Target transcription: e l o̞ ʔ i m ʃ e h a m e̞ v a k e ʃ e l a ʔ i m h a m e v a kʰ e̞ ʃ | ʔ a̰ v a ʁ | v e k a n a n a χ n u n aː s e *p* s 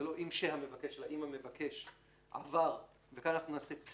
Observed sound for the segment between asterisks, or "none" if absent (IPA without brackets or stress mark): p